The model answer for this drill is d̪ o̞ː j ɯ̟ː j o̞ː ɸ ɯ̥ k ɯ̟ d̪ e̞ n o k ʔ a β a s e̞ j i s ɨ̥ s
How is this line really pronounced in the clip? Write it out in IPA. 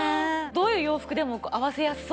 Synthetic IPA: d̪ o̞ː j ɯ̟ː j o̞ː ɸ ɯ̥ k ɯ̟ d̪ e̞ m o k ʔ a β a s e̞ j a s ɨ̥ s

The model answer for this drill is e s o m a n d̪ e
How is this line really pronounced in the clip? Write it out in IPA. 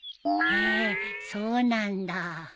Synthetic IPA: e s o n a n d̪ a

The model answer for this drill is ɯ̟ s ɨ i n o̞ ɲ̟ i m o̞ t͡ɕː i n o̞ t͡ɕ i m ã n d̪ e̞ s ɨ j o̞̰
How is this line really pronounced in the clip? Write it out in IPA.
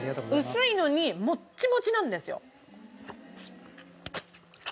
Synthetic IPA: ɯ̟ s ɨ i n o̞ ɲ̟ i m o̞ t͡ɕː i m o̞ t͡ɕ i n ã n d̪ e̞ s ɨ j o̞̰

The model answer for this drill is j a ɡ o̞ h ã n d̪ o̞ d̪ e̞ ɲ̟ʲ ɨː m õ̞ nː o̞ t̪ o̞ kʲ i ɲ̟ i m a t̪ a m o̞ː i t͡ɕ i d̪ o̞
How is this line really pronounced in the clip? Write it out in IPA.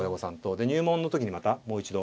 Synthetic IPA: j a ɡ o̞ s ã n t̪ o̞ d̪ e̞ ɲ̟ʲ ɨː m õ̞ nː o̞ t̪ o̞ kʲ i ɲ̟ i m a t̪ a m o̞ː i t͡ɕ i d̪ o̞

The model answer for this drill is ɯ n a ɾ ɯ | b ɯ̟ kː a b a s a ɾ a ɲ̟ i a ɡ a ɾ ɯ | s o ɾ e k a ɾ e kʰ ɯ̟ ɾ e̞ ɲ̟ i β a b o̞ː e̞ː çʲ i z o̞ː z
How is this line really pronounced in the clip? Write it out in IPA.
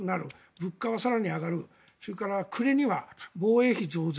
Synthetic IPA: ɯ n a ɾ ɯ | b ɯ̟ kː a β a s a ɾ a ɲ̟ i a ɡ a ɾ ɯ | s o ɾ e k a ɾ a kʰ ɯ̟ ɾ e̞ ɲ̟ i β a b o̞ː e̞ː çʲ i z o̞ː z

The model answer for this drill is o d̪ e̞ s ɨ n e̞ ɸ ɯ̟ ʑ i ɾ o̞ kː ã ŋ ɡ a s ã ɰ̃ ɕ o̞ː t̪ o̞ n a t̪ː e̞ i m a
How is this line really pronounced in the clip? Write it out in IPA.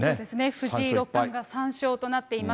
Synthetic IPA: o d̪ e̞ s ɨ n e̞ ɸ ɯ̟ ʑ i ɾ o̞ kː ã ŋ ɡ a s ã ɰ̃ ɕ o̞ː t̪ o̞ n a t̪ː e̞ i m a

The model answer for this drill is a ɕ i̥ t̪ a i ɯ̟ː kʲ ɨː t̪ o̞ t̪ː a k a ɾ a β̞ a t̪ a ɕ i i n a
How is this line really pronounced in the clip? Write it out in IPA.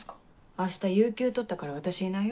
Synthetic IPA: a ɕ i̥ t̪ a j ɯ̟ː kʲ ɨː t̪ o̞ t̪ː a k a ɾ a β̞ a t̪ a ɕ i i n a

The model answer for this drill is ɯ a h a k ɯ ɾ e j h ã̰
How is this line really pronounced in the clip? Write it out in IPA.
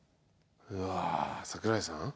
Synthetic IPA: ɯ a s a k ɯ ɾ a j s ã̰

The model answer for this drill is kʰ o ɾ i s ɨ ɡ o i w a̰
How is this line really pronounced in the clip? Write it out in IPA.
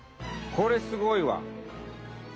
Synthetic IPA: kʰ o ɾ e s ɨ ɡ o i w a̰

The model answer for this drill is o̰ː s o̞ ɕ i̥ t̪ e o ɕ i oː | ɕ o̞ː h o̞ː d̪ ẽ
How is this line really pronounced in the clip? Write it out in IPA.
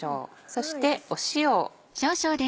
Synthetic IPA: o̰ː s o̞ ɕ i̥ t̪ e o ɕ i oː | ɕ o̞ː ɕ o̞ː d̪ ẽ

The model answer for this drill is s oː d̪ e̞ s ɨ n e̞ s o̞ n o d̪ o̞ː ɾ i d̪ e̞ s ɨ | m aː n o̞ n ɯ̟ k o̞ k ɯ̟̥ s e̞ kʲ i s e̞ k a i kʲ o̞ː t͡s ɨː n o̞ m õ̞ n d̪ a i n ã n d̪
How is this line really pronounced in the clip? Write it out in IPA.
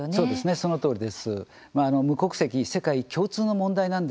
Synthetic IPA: s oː d̪ e̞ s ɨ n e̞ s o̞ n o t̪ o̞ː ɾ i d̪ e̞ s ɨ | m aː n o̞ m ɯ̟ k o̞ k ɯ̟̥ s e̞ kʲ i s e̞ k a i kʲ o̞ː t͡s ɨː n o̞ m õ̞ n d̪ a i n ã n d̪

